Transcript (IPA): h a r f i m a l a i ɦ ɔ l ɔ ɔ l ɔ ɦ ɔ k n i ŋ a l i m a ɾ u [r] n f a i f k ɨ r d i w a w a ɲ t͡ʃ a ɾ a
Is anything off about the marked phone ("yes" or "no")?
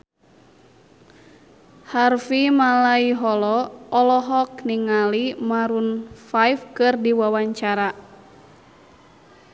yes